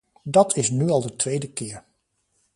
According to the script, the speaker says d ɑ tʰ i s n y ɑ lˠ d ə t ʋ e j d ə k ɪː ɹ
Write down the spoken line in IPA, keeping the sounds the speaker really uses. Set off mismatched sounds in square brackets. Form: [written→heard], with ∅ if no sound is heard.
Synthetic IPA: d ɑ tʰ [i→ɪ] s n y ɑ lˠ d ə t ʋ e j d ə k ɪː ɹ